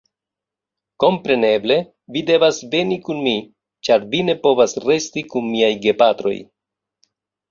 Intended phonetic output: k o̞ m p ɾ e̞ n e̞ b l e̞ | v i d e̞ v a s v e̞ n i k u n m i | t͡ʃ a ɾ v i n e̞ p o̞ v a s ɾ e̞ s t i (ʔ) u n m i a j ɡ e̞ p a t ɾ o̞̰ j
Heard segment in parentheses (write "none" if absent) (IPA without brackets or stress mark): k